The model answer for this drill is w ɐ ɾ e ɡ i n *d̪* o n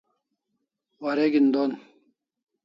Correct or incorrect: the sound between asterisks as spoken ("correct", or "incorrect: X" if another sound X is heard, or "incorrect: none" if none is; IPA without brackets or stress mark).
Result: correct